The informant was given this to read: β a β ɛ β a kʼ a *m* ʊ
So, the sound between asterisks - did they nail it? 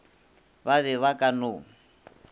no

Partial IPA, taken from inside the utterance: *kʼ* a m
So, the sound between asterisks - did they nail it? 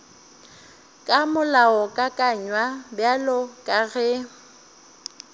yes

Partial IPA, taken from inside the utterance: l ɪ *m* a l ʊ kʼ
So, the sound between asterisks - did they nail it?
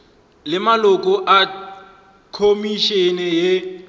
yes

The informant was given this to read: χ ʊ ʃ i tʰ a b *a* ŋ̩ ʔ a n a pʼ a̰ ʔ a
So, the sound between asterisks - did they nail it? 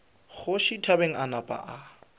no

